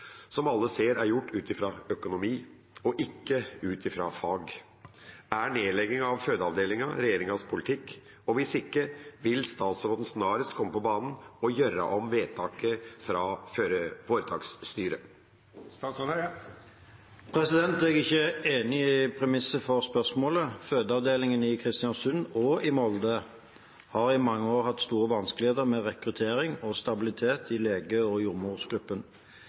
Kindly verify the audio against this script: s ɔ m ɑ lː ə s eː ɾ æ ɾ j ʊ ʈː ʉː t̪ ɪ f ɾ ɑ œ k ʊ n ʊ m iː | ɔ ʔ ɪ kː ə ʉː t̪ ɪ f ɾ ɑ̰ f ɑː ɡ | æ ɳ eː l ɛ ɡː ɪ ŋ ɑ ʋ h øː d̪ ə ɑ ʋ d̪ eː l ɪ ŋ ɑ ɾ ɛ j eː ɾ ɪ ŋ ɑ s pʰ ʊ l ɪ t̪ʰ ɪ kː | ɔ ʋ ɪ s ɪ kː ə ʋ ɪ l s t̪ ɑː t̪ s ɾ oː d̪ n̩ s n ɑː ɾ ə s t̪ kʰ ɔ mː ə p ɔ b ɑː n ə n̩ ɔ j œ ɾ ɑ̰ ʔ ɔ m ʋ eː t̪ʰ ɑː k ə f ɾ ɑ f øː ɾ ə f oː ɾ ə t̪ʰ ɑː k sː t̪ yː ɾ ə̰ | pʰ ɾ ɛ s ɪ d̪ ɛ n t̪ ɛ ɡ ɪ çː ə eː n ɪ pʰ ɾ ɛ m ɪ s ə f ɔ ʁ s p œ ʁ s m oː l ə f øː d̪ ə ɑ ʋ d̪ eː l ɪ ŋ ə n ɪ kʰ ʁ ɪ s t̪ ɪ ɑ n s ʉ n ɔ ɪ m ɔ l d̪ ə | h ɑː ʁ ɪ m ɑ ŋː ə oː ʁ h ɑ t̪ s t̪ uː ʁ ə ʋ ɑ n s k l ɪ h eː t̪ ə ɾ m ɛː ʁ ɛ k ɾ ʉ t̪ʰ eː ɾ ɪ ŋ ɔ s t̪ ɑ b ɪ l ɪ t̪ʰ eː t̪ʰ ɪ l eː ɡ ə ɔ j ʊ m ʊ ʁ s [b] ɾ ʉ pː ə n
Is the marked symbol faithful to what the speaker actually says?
no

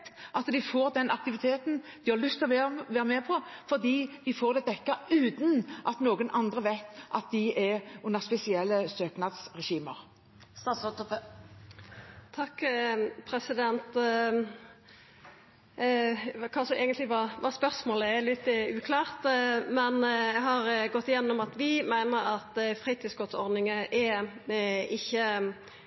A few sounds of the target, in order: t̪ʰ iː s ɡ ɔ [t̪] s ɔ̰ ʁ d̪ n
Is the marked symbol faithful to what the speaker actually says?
yes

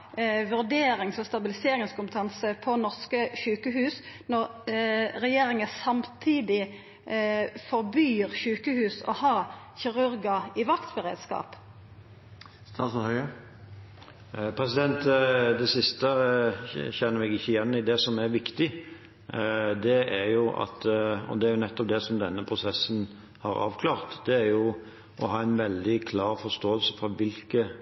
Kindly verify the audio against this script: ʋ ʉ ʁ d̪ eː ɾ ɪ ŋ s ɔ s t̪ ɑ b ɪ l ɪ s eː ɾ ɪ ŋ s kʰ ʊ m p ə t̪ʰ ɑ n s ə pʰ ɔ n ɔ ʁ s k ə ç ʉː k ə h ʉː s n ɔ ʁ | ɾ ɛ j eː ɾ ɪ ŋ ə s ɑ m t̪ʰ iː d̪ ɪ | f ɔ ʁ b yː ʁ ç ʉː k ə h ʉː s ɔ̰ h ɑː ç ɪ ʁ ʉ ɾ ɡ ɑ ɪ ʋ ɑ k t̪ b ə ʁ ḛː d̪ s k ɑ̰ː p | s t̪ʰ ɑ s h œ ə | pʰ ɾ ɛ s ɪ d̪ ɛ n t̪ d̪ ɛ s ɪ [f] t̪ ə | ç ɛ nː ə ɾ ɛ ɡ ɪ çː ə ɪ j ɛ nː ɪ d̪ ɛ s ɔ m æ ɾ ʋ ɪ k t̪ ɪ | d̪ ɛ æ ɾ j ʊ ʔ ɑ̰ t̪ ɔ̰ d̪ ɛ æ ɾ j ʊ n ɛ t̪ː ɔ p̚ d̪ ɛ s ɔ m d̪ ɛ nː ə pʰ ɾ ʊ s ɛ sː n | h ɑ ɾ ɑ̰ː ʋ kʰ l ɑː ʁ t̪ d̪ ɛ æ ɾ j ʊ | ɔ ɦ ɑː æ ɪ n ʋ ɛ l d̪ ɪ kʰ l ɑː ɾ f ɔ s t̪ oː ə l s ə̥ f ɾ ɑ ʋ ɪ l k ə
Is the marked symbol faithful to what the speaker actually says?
no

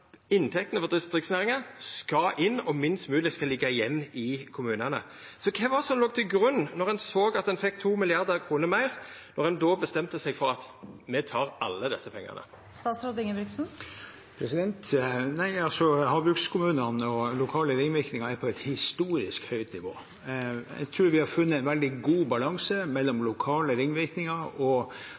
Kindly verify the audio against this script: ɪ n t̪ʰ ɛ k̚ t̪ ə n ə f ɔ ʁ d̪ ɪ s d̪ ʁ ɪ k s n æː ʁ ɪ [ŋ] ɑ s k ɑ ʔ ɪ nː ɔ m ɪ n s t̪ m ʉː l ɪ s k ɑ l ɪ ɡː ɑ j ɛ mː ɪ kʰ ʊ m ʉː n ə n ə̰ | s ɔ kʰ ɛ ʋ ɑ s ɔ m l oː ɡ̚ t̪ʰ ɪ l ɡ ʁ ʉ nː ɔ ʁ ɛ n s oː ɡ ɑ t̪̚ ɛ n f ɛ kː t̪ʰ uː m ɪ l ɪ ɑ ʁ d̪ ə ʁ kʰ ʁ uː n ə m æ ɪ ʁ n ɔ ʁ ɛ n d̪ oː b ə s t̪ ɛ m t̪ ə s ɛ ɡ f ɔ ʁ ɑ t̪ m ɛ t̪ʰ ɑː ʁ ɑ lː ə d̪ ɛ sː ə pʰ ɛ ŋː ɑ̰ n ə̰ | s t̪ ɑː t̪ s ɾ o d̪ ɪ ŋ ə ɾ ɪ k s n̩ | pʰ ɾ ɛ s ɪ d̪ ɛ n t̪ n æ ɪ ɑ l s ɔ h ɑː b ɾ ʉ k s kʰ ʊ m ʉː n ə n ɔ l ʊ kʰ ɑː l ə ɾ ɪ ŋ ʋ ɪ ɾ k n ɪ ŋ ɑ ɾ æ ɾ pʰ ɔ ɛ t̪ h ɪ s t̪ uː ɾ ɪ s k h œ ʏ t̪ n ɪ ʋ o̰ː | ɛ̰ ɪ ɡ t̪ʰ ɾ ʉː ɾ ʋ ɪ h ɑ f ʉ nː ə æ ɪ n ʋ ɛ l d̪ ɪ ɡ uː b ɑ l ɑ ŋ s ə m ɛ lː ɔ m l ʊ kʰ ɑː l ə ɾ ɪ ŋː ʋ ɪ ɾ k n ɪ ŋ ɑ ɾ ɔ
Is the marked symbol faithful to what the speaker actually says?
yes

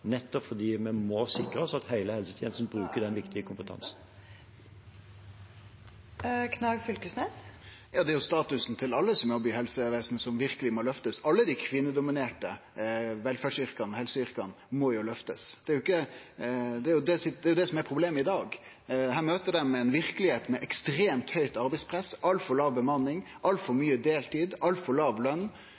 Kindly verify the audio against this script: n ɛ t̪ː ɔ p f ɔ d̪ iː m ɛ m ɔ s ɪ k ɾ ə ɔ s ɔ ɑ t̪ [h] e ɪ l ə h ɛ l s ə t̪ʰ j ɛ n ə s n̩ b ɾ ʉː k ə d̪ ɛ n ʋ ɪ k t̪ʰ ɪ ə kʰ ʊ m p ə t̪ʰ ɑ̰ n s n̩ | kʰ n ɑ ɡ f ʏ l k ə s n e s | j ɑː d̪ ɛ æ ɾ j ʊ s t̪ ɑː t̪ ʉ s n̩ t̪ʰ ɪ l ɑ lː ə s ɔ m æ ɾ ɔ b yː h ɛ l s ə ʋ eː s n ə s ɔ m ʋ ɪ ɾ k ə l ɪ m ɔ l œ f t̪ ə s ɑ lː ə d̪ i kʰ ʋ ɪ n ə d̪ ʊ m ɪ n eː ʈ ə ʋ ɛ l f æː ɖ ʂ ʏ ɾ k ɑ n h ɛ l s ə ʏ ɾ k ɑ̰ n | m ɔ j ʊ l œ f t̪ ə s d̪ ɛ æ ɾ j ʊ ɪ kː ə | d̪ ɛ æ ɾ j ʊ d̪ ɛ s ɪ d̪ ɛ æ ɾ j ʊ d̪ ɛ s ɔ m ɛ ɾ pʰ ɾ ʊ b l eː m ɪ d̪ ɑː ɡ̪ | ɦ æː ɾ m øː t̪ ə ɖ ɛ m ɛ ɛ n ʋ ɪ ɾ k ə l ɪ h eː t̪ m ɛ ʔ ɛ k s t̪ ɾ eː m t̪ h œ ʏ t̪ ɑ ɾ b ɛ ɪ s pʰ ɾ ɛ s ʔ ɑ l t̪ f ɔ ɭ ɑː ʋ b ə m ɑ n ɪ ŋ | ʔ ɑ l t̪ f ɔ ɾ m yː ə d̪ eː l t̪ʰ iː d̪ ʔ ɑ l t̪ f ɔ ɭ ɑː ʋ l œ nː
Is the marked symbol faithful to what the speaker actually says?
yes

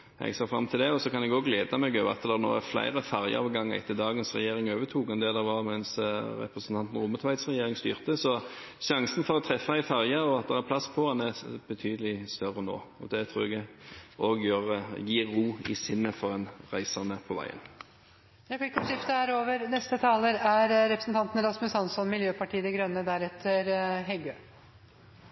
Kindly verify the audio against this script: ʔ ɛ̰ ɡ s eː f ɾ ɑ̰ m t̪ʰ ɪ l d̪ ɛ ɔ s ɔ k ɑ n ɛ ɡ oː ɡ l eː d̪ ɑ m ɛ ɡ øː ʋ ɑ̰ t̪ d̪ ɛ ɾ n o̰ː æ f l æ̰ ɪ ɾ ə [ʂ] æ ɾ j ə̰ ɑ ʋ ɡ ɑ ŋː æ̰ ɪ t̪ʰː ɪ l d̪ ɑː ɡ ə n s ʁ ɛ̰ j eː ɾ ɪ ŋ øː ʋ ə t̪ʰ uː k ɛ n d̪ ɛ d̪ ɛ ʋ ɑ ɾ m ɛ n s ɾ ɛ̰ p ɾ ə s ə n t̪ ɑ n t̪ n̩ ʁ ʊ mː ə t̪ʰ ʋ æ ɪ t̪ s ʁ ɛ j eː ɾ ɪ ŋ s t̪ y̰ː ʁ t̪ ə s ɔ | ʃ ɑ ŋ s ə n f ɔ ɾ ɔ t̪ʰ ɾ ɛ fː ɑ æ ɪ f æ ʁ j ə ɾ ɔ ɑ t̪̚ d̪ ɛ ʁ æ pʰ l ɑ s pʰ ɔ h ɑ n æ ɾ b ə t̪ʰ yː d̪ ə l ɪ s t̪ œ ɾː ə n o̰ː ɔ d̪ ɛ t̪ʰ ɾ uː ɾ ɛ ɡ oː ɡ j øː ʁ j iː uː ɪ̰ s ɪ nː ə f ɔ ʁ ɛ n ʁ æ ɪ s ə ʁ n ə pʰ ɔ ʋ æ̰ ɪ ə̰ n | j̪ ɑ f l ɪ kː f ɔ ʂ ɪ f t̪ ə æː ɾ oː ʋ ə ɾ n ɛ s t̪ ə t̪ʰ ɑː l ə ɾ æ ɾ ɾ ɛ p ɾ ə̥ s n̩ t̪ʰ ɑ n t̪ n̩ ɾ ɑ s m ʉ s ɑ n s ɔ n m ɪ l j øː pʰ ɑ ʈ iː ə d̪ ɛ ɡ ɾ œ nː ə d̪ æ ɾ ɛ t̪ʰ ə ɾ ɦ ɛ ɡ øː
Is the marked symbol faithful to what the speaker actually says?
no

